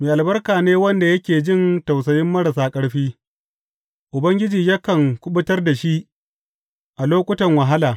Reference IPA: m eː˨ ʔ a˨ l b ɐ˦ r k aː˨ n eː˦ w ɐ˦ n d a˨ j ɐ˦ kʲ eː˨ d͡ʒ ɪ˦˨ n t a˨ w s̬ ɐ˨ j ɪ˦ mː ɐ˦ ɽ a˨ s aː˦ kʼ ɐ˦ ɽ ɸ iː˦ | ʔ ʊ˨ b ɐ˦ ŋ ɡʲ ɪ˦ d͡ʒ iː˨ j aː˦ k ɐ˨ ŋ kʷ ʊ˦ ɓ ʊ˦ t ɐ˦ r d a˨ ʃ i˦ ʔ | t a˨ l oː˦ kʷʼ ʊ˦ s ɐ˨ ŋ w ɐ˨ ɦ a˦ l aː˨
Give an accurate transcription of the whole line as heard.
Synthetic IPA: m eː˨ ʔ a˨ l b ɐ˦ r k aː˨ n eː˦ w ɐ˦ n d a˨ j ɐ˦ kʲ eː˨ d͡ʒ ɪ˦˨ n t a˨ w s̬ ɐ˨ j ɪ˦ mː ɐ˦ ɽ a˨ s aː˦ kʼ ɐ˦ ɽ ɸ iː˦ | ʔ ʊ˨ b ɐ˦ ŋ ɡʲ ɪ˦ d͡ʒ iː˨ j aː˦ k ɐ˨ ŋ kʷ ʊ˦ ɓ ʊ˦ t ɐ˦ r d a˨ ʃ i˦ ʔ | ʔ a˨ l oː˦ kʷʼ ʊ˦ t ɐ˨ ŋ w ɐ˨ ɦ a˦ l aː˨